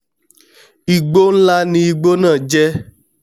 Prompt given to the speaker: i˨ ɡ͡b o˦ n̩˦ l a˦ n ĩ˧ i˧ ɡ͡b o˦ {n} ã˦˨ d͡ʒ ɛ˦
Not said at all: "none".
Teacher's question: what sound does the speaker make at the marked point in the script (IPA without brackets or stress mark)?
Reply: n